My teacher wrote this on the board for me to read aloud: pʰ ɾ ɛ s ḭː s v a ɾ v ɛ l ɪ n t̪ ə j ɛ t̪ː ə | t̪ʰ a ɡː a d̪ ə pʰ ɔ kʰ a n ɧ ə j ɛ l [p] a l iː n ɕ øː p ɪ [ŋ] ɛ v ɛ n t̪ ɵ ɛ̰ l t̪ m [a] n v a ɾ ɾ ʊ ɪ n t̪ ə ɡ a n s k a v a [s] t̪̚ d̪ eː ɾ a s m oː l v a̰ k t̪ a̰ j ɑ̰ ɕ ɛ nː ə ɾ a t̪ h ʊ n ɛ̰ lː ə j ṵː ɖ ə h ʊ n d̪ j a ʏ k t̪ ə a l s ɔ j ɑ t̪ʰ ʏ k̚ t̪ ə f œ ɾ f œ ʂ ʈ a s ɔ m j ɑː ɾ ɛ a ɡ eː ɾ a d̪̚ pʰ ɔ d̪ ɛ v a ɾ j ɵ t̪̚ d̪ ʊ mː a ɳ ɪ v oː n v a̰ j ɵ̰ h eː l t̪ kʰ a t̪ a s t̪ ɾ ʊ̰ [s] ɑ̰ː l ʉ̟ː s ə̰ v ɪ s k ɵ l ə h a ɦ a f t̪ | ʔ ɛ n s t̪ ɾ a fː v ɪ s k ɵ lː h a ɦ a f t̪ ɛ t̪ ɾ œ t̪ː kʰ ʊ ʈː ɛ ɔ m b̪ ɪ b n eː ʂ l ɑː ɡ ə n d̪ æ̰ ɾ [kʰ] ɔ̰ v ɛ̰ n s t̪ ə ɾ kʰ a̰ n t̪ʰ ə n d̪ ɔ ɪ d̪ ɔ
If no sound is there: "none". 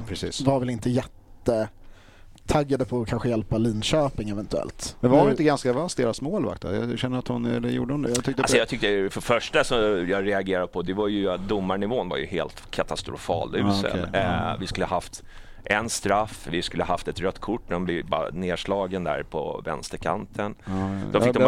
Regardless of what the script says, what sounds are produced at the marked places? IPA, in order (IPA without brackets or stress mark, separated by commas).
p, ŋ, ɛ, s, f, pʰ